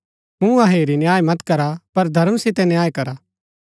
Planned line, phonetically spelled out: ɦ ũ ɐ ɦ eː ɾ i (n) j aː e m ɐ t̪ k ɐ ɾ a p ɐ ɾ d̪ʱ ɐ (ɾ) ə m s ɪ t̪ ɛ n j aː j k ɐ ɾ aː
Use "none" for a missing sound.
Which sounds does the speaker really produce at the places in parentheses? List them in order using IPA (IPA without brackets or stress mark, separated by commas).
n, ɾ